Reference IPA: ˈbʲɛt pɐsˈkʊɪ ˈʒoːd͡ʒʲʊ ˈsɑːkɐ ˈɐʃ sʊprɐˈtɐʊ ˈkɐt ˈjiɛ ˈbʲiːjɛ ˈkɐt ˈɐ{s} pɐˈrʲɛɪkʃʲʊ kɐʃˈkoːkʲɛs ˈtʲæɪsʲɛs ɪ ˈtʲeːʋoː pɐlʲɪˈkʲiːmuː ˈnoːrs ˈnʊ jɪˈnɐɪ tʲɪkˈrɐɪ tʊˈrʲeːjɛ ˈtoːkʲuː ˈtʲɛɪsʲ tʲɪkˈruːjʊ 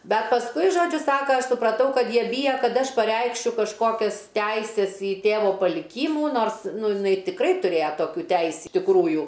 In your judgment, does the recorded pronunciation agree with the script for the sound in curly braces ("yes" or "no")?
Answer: no